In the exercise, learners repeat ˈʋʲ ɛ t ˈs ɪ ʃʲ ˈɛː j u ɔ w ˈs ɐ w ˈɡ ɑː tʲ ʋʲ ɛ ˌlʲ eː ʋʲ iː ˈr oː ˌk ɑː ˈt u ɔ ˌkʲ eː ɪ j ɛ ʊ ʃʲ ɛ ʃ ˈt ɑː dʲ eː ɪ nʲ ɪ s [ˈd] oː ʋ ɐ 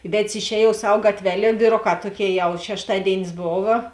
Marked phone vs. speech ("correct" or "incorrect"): incorrect